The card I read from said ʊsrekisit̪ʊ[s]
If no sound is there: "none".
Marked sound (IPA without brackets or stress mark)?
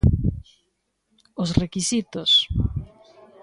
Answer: s